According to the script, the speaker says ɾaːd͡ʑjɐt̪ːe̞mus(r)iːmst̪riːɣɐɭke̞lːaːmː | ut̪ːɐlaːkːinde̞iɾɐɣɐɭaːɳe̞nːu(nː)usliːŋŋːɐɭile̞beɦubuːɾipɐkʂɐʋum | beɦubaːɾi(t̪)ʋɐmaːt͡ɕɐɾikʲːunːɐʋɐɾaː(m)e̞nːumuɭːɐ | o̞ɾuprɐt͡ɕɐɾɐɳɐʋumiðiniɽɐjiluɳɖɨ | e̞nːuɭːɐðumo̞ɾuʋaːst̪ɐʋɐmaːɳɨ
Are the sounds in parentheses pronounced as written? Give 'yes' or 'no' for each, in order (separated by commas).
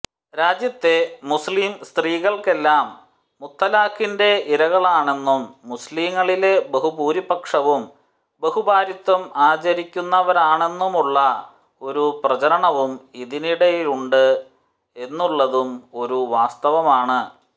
no, no, yes, no